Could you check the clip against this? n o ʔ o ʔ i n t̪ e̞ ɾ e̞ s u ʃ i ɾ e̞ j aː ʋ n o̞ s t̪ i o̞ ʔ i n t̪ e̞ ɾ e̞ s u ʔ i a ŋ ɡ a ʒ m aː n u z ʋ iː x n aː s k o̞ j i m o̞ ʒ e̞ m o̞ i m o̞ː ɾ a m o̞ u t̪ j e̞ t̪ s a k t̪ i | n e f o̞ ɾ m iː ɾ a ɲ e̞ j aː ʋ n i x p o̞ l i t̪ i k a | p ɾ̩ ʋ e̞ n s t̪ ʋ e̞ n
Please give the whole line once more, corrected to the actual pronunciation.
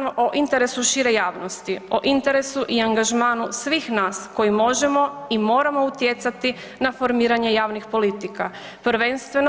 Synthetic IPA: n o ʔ o ʔ i n t̪ e̞ ɾ e̞ s u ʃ i ɾ e̞ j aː ʋ n o̞ s t̪ i o̞ ʔ i n t̪ e̞ ɾ e̞ s u ʔ i a ŋ ɡ a ʒ m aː n u s ʋ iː x n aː s k o̞ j i m o̞ ʒ e̞ m o̞ i m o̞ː ɾ a m o̞ u t̪ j e̞ t̪ s a t̪ i | n a f o̞ ɾ m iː ɾ a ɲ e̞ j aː ʋ n i x p o̞ l i t̪ i k a | p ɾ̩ ʋ e̞ n s t̪ ʋ e̞ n

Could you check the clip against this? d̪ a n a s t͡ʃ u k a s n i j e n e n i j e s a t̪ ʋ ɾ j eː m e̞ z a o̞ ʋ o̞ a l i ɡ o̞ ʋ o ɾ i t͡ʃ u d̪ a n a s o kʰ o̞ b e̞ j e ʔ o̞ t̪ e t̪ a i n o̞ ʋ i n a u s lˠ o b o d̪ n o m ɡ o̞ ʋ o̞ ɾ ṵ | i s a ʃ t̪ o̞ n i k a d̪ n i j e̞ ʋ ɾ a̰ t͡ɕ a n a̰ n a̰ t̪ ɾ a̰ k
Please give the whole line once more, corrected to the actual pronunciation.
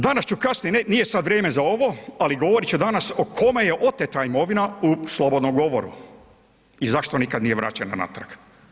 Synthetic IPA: d̪ a n a s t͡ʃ u k a s n i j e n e n i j e s a d̪ ʋ ɾ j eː m e̞ z a o̞ ʋ o̞ a l i ɡ o̞ ʋ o ɾ i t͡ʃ u d̪ a n a s o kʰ o̞ m e̞ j e ʔ o̞ t̪ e t̪ a i m o̞ ʋ i n a u s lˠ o b o d̪ n o m ɡ o̞ ʋ o̞ ɾ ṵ | i z a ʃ t̪ o̞ n i k a d̪ n i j e̞ ʋ ɾ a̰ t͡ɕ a n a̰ n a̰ t̪ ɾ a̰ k

